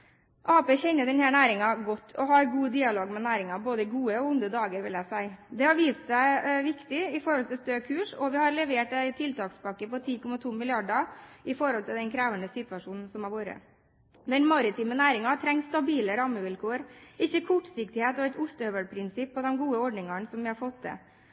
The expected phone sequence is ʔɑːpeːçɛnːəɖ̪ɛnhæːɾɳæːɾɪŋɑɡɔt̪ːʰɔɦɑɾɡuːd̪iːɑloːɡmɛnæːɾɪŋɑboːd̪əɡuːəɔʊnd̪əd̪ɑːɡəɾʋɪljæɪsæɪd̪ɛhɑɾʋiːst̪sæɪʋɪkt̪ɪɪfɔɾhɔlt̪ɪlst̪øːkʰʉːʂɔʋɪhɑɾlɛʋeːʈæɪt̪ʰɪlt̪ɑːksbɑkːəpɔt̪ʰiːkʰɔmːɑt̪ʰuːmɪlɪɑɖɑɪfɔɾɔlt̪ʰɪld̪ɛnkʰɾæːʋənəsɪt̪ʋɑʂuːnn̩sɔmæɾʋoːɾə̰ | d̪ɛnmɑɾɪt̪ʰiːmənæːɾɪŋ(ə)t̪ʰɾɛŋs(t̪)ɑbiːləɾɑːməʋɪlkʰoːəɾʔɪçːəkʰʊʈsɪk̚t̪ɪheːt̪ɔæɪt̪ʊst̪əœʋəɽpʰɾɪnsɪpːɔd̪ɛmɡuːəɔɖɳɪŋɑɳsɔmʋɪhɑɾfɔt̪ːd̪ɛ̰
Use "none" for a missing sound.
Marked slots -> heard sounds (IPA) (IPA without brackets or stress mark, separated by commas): ɑ, t̪